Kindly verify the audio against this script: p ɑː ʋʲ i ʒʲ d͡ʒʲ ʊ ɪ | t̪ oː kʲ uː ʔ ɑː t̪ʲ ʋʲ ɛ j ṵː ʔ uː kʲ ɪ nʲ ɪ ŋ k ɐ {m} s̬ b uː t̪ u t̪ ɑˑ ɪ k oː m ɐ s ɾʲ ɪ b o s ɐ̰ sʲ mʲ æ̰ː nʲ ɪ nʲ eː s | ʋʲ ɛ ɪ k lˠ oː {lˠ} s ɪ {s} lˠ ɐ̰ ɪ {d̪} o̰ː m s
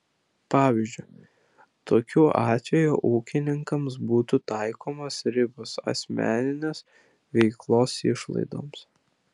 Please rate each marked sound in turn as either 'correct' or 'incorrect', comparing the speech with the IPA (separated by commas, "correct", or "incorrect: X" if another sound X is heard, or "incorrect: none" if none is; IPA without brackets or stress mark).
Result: correct, incorrect: none, incorrect: ʃ, correct